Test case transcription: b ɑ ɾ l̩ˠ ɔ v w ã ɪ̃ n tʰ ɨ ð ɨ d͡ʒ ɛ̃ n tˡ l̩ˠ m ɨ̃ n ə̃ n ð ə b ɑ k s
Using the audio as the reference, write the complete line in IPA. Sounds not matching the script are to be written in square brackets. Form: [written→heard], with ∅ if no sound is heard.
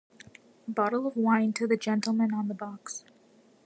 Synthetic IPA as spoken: b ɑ ɾ l̩ˠ [ɔ→ʌ] v w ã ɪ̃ n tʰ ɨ ð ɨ d͡ʒ ɛ̃ n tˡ l̩ˠ m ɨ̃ n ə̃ n ð ə b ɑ k s